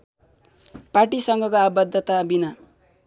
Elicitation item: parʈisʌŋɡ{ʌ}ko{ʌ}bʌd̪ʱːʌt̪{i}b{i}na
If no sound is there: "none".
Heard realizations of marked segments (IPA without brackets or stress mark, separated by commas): ʌ, a, a, i